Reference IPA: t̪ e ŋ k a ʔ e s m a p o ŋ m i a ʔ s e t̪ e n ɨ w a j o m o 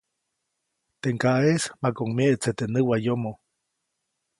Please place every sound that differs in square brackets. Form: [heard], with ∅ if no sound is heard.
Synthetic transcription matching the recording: t̪ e ŋ k a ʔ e s m a [k] o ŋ m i [e] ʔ [t͡s] e t̪ e n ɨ w a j o m o